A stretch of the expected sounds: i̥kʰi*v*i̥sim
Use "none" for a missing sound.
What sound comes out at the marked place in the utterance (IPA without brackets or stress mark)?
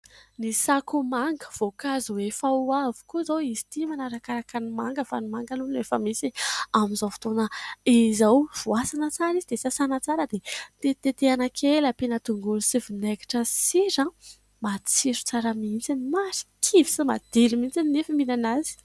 v